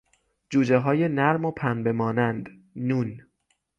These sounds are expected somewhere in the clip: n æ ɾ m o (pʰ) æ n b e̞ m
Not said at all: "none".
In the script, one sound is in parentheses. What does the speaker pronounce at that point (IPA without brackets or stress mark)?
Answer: pʰ